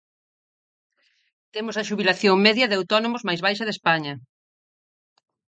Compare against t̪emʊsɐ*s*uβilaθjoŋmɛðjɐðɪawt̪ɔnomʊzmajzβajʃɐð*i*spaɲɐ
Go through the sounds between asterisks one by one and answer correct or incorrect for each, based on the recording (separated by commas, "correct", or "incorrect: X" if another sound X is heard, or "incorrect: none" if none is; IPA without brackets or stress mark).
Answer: incorrect: ʃ, incorrect: e